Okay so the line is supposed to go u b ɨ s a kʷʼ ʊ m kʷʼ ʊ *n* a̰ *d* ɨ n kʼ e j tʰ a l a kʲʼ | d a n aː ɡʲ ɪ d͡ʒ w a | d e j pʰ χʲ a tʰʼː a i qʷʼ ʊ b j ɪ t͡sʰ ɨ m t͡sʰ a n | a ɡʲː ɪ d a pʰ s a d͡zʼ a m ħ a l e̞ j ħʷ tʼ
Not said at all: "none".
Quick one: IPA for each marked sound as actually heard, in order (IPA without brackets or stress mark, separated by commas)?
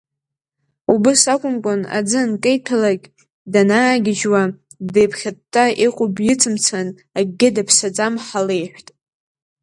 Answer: n, d͡z